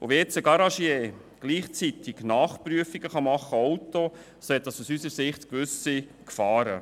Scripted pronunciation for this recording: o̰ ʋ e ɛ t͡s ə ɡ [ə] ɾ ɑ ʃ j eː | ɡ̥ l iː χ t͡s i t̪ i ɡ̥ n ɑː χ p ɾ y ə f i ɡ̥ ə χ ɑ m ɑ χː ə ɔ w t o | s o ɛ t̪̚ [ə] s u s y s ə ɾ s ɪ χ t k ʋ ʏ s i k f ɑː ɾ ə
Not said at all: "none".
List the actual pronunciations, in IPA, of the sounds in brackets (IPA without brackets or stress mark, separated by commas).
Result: ɑ, ɑ